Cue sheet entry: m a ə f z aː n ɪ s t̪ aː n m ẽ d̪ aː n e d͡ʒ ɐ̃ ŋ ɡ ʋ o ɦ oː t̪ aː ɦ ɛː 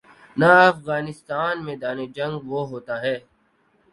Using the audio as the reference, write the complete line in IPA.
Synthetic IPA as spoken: n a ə f ɣ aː n ɪ s t̪ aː n m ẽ d̪ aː n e d͡ʒ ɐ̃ ŋ ɡ ʋ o ɦ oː t̪ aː ɦ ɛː